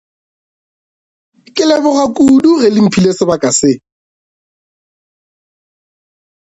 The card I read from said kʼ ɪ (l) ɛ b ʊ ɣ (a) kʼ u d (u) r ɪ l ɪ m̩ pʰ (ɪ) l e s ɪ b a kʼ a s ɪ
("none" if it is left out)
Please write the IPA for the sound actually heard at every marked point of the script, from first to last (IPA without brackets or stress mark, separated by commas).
l, a, u, i